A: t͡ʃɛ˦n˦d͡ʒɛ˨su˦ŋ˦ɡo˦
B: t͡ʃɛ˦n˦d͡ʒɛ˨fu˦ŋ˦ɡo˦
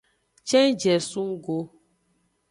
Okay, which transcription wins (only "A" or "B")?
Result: A